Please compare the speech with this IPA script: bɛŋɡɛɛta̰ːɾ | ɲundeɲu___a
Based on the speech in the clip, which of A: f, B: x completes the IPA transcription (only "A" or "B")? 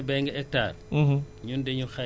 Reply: B